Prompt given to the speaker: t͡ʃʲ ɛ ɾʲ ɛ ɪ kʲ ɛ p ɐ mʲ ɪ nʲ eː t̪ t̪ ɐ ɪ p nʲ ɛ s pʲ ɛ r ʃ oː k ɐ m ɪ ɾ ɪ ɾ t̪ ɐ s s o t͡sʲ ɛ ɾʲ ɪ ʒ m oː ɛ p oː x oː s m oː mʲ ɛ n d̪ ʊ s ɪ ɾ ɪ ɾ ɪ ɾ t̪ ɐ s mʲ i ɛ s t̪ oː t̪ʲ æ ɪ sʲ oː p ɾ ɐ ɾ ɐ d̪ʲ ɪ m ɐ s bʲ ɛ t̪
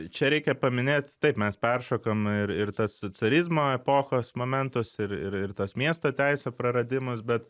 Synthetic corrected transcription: t͡ʃʲ ɛ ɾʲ ɛ ɪ kʲ ɛ p ɐ mʲ ɪ nʲ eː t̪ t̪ ɐ ɪ p mʲ ɛ s pʲ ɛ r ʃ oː k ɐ m ɪ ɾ ɪ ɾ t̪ ɐ s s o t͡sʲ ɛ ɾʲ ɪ z m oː ɛ p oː x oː s m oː mʲ ɛ n t̪ ʊ s ɪ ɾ ɪ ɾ ɪ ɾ t̪ ɐ s mʲ i ɛ s t̪ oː t̪ʲ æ ɪ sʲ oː p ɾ ɐ ɾ ɐ d̪ʲ ɪ m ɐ s bʲ ɛ t̪